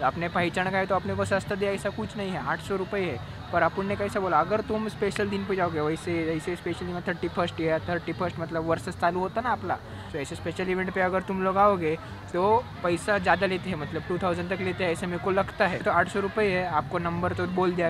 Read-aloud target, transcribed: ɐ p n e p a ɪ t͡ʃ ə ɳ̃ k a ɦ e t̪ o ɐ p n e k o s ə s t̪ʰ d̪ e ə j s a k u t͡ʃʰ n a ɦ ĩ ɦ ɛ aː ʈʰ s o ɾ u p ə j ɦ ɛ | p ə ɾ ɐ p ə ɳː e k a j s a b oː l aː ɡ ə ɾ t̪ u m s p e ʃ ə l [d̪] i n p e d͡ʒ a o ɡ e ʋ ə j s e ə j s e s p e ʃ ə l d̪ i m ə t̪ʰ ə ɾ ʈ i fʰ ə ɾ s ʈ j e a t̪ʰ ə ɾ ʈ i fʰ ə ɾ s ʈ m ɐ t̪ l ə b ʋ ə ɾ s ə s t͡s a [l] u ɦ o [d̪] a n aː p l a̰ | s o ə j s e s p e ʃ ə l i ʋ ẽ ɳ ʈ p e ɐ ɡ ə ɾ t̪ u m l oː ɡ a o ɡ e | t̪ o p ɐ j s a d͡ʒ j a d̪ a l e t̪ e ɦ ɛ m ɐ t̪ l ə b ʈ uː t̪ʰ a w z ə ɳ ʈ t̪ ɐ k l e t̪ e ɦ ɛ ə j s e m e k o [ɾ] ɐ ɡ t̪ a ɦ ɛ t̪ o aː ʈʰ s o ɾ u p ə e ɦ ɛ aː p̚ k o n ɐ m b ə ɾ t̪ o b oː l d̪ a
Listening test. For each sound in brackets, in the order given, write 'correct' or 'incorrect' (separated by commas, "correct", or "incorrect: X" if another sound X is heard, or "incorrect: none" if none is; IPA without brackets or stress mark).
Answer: correct, correct, incorrect: t̪, incorrect: l